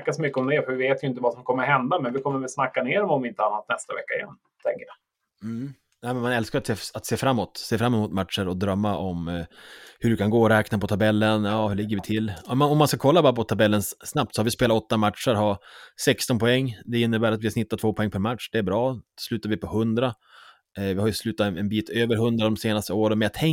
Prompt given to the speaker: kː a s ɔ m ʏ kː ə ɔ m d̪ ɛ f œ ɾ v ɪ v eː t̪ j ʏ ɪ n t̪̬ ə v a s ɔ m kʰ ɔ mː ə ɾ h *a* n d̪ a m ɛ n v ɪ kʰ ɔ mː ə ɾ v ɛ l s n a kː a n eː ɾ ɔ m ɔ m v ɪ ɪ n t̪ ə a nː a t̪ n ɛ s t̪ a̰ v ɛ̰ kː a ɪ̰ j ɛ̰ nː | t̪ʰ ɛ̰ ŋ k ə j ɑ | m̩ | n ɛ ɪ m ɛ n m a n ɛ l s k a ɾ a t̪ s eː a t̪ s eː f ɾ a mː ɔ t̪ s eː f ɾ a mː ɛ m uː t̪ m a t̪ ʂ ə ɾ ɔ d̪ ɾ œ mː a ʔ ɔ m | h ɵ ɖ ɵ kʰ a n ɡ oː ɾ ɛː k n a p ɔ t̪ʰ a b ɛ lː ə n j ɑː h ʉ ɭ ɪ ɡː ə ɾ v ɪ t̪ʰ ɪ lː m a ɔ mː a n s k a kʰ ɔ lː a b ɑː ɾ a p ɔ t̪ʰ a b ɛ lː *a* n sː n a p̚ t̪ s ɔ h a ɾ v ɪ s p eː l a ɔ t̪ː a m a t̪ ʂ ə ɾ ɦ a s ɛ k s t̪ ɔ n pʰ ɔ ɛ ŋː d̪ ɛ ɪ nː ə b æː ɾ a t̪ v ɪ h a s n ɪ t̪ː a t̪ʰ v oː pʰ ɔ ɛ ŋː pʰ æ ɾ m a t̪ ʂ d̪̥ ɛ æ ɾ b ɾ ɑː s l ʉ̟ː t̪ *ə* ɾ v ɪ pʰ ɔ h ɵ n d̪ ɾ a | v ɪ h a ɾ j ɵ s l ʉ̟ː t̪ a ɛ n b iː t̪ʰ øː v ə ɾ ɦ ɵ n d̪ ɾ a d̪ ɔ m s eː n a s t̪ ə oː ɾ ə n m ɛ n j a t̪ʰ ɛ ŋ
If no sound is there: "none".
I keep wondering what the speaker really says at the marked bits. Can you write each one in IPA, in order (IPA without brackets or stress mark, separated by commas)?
ɛ, ə, a